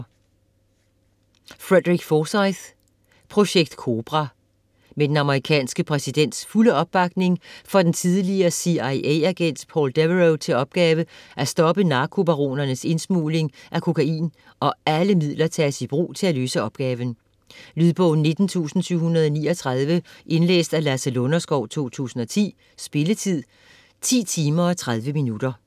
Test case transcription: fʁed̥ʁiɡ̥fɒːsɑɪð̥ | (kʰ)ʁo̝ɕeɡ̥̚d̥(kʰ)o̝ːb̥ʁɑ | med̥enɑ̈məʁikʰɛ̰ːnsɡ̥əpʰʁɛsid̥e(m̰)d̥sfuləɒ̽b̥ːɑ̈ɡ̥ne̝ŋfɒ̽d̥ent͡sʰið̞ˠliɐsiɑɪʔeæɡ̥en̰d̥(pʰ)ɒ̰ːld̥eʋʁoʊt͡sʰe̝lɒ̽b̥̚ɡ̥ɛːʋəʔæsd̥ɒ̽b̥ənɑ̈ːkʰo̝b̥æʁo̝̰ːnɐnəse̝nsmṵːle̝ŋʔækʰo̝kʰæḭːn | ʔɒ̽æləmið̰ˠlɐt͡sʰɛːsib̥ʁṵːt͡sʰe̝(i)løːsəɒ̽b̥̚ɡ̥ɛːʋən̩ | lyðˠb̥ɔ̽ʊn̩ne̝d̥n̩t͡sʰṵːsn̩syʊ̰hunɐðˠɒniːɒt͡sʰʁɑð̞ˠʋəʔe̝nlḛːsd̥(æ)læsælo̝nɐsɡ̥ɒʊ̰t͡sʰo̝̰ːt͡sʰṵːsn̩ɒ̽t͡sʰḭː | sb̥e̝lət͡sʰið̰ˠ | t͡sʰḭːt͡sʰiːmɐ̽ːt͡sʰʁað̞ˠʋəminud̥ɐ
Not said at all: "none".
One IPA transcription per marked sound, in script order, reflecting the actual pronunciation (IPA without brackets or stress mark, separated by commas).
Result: pʰ, kʰ, n̰, pʰ, æ, æ